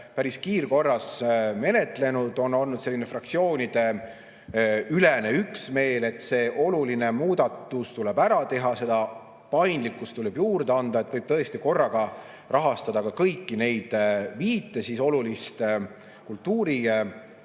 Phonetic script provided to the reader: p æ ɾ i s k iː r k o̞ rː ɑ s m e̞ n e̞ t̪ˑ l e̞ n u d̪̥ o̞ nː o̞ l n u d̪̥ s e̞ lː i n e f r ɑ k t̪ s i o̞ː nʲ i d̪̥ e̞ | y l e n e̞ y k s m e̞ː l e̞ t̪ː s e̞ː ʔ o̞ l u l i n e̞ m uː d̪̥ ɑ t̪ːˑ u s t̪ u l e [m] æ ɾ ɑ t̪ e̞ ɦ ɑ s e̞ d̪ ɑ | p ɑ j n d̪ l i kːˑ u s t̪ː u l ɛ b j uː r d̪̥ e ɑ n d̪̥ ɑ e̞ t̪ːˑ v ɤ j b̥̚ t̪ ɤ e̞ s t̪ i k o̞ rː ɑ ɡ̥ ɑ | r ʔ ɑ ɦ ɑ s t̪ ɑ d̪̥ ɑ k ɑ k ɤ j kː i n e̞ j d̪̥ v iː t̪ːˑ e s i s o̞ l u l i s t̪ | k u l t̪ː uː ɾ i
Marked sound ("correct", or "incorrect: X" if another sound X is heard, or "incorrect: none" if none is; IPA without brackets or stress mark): incorrect: b